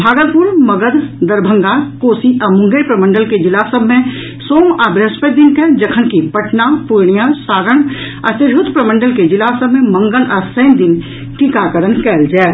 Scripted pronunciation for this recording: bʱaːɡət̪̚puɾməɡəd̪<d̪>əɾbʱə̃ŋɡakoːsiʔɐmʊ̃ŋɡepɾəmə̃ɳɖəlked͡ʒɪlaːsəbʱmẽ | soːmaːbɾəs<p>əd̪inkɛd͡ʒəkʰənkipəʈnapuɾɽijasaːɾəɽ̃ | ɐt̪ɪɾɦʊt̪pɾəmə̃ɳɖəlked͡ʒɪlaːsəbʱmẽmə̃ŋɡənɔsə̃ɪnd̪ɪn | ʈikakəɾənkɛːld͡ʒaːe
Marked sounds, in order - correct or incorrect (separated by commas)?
correct, correct